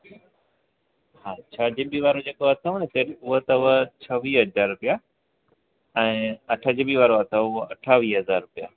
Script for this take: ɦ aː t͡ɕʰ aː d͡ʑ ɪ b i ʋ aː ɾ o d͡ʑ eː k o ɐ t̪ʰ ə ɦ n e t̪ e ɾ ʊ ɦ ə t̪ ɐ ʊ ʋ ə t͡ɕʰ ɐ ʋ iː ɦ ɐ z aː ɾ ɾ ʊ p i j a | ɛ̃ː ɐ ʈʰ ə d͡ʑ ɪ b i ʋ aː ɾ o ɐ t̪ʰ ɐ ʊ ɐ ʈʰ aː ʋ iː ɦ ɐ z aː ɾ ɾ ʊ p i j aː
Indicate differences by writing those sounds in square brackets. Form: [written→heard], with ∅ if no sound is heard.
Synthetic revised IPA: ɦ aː t͡ɕʰ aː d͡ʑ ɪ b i ʋ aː ɾ o d͡ʑ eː k o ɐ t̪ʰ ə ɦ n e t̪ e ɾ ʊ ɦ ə t̪ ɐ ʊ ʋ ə t͡ɕʰ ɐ ʋ iː ɦ ɐ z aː ɾ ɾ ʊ p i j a | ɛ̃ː ɐ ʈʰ ə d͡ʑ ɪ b i ʋ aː ɾ o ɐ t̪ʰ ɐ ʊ ɐ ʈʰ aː ʋ iː ɦ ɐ z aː ɾ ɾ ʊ p i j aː